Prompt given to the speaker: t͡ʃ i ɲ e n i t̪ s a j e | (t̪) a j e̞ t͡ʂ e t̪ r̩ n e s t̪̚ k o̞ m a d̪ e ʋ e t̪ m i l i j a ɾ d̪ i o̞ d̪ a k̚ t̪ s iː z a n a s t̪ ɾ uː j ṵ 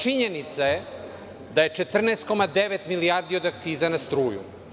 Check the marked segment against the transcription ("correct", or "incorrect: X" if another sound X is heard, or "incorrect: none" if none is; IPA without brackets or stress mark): incorrect: d̪